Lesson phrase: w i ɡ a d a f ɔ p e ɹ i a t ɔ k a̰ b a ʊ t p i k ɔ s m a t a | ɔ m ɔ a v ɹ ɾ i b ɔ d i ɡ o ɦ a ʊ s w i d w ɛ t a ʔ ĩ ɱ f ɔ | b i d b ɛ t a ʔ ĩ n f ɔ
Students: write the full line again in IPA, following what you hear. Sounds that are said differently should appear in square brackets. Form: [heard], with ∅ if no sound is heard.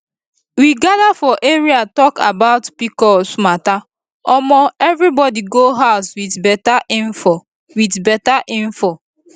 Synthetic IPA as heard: w i ɡ a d a f ɔ [ʔ] e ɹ i a t ɔ k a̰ b a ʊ t p i k ɔ s m a t a | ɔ m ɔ [ɛ] v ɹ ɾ i b ɔ d i ɡ o ɦ a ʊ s w i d [b] ɛ t a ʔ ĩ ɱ f ɔ | [w] i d b ɛ t a ʔ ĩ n f ɔ